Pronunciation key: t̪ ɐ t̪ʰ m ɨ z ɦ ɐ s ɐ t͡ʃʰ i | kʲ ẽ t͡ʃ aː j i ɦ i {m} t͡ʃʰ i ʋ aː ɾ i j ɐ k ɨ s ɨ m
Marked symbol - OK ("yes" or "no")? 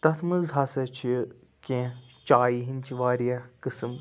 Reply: no